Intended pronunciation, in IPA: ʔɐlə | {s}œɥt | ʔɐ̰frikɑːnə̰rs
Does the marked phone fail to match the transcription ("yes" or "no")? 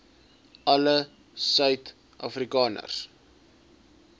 no